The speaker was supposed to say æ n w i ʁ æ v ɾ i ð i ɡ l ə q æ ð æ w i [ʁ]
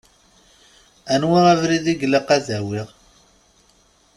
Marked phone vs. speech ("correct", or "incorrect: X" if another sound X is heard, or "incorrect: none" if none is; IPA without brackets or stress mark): correct